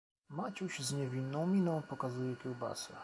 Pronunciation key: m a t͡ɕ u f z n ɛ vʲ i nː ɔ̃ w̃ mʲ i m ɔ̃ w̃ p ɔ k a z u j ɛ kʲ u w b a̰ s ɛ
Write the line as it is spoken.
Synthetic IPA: m a t͡ɕ u ɕ z ɲ ɛ vʲ i nː ɔ̃ w̃ mʲ i n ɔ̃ w̃ p ɔ k a z u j ɛ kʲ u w b a̰ s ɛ